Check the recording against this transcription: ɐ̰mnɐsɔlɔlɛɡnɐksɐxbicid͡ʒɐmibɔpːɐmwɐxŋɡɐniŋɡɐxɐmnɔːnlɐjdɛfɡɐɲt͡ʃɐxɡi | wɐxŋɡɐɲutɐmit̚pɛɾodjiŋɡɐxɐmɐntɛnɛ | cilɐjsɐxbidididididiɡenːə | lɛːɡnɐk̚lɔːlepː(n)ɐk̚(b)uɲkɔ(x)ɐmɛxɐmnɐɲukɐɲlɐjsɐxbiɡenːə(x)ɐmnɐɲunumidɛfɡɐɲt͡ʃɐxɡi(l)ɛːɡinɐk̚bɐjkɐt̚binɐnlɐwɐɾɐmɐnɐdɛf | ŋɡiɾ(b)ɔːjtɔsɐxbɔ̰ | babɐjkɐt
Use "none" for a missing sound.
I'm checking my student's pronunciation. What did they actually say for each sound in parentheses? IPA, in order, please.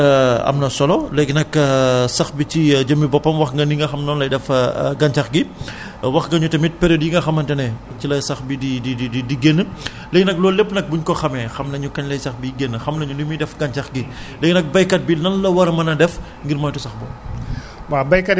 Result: n, b, x, x, l, m

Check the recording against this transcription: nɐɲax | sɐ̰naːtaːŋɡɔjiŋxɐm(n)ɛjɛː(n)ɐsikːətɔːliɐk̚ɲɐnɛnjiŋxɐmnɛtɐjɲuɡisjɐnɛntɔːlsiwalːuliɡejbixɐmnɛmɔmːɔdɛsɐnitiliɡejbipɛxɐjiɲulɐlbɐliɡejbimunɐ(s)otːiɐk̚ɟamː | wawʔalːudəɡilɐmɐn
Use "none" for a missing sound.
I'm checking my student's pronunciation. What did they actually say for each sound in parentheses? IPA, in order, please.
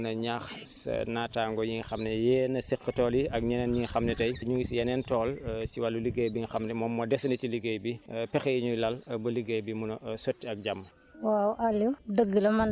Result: n, n, s

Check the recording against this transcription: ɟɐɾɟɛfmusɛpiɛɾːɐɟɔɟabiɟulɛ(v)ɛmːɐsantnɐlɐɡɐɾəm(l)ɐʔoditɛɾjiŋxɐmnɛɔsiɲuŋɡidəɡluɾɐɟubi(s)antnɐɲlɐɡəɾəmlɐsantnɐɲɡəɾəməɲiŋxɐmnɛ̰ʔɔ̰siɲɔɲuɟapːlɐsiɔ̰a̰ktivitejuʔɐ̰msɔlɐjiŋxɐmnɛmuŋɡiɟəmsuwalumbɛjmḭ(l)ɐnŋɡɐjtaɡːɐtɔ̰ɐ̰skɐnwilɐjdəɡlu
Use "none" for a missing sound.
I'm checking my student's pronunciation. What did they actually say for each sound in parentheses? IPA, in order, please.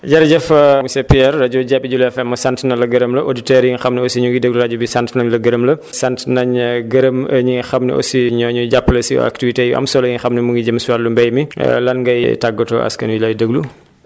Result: f, l, s, l

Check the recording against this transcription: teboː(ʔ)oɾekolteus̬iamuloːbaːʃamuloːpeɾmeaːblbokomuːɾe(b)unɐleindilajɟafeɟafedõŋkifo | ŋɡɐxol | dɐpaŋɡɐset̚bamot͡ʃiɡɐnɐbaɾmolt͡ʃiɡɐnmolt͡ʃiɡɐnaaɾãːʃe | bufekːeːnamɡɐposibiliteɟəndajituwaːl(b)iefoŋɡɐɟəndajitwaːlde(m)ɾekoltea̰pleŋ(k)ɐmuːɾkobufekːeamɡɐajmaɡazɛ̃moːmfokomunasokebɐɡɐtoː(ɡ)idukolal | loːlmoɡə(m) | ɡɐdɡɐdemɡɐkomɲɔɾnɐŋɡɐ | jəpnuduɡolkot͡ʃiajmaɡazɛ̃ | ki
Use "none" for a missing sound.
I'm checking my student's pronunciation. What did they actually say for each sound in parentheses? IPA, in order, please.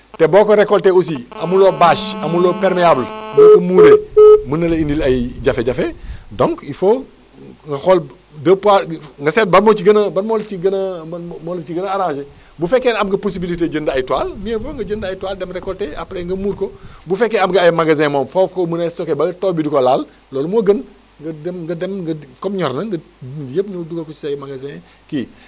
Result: k, m, m, m, ɡ, b, n

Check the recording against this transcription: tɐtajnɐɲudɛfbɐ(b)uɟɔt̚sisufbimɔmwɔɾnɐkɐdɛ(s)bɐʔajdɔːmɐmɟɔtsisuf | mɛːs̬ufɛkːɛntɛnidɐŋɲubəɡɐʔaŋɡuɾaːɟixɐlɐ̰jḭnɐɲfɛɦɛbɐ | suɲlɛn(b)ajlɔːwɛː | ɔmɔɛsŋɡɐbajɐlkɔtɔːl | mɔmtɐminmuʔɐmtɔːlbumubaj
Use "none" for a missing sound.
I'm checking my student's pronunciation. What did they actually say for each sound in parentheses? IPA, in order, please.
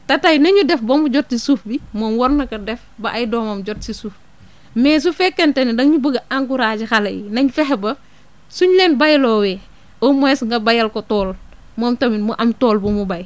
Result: m, f, b

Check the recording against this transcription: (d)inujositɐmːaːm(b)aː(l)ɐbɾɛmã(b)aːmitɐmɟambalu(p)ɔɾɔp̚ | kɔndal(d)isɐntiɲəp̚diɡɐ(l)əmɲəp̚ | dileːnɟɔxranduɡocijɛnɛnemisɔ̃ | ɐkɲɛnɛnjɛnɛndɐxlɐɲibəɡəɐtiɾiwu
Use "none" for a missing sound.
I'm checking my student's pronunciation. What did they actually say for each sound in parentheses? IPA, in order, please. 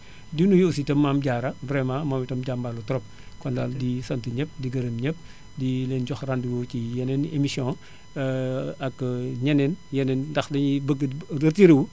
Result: d, ɟ, ɾ, m, t, d, ɾ

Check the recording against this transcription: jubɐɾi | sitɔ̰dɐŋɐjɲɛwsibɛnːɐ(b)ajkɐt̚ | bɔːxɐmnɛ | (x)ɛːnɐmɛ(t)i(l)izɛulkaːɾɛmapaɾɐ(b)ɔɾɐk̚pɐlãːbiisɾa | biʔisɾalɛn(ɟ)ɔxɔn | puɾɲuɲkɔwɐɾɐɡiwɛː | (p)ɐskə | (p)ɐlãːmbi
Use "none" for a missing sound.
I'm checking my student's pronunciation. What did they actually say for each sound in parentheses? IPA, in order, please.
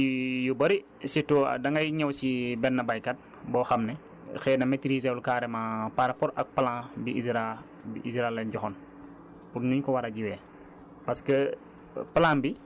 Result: b, x, t, ɾ, p, ɟ, p, p

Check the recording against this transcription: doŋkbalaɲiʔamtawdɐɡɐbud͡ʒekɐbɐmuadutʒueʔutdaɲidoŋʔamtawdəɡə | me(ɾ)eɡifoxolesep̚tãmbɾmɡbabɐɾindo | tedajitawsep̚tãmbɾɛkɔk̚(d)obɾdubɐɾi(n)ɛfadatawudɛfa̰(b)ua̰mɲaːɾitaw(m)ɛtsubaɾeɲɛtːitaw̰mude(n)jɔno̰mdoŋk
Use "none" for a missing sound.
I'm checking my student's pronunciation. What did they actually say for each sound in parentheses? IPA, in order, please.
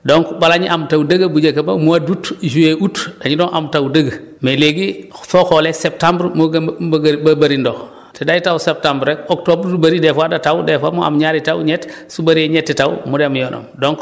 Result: l, t, d, m, ɲ, m

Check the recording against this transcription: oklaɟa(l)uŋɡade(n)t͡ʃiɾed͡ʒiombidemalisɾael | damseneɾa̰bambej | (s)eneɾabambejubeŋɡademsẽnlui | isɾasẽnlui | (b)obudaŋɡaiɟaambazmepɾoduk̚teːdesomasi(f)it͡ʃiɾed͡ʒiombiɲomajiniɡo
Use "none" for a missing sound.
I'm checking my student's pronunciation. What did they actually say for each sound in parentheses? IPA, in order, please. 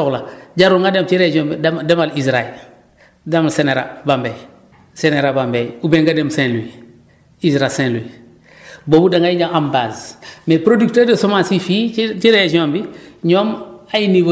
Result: ɾ, m, s, b, f

